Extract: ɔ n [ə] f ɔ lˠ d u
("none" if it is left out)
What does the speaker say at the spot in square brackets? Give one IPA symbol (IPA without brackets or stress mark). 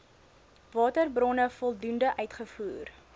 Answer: ə